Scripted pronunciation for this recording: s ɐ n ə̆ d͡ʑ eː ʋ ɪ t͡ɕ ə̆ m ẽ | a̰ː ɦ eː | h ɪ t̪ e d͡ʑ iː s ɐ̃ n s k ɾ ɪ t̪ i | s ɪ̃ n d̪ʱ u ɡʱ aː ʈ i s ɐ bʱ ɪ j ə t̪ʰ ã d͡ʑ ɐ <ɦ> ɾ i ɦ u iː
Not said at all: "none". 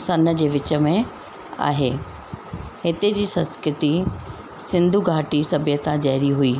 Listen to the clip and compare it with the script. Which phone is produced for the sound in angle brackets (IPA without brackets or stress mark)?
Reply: ɦ